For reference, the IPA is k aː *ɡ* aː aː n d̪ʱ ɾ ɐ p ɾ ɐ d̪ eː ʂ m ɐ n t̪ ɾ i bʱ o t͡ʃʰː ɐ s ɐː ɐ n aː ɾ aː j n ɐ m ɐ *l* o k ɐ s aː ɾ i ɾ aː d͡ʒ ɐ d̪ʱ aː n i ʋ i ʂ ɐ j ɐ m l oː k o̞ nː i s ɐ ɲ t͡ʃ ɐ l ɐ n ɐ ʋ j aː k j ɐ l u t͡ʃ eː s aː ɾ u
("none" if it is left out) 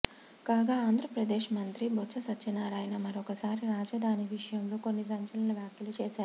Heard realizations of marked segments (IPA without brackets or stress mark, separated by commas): ɡ, ɾ